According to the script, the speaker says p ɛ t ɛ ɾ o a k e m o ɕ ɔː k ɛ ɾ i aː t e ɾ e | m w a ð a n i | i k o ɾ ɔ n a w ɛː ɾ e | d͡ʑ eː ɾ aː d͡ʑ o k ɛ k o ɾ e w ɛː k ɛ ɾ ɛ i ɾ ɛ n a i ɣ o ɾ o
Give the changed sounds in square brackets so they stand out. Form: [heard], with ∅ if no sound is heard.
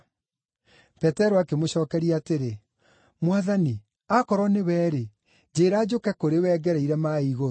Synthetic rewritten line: p ɛ t ɛ ɾ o a k e m o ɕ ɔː k ɛ ɾ i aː t e ɾ e | m w a ð a n i | [a] k [ɔ] ɾ ɔ n [e] w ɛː ɾ e | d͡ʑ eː ɾ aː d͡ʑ o k ɛ k o ɾ e w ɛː [ɡ] ɛ ɾ ɛ i ɾ ɛ [m] a i ɣ o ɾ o